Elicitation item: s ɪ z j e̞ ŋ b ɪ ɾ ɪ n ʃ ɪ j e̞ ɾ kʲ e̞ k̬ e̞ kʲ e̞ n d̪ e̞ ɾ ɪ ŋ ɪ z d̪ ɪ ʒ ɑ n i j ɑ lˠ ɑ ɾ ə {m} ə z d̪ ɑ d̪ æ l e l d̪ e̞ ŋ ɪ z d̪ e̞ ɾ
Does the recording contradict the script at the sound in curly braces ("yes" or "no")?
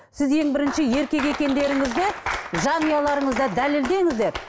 yes